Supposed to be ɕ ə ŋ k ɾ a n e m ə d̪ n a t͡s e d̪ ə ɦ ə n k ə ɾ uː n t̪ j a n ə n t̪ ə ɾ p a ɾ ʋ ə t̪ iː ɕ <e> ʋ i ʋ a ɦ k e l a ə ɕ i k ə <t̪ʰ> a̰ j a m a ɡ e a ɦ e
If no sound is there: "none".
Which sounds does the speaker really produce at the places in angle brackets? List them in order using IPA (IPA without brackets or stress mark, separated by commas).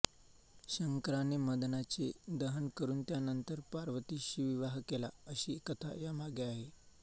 i, t̪ʰ